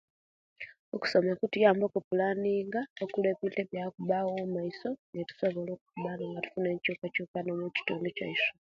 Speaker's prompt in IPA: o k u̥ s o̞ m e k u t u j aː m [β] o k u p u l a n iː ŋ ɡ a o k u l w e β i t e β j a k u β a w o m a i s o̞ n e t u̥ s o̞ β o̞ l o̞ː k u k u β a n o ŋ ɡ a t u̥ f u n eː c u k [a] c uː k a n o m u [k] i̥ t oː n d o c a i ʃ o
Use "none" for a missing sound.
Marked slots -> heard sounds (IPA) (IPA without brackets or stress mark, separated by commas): b, a, c